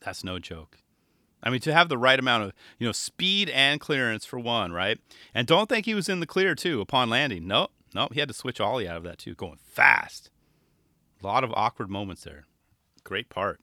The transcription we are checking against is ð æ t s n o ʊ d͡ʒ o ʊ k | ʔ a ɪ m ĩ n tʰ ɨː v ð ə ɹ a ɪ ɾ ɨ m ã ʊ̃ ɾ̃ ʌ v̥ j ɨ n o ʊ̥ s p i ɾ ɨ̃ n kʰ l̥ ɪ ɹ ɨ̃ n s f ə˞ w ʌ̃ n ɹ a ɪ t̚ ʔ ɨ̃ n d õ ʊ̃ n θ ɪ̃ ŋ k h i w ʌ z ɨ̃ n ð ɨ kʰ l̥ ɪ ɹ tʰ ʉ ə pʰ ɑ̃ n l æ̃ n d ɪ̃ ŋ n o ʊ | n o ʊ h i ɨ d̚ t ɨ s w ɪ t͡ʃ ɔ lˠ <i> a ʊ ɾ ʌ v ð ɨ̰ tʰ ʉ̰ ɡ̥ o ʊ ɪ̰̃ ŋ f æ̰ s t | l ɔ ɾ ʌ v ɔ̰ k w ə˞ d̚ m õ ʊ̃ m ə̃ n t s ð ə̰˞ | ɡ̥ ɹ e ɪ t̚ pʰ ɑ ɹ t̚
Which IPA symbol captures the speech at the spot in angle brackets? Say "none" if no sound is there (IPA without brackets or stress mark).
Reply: i